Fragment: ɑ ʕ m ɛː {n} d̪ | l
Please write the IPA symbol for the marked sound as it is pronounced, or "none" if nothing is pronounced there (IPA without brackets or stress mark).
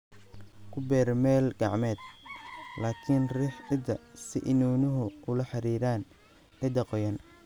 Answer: none